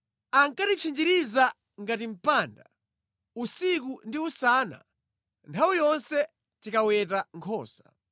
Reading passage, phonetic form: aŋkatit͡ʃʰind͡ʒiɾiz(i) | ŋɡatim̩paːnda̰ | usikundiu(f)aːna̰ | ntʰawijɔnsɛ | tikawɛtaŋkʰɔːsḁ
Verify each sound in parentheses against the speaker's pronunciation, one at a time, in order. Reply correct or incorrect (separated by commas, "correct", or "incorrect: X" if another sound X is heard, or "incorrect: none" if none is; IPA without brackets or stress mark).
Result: incorrect: a, incorrect: s